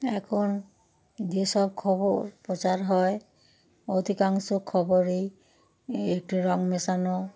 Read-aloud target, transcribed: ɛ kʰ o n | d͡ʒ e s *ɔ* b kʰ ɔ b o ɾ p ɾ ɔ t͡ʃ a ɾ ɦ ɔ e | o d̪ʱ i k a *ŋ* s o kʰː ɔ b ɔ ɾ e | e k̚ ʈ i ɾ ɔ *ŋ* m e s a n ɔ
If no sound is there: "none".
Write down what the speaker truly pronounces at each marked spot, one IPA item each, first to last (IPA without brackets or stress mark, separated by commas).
ɔ, ŋ, ŋ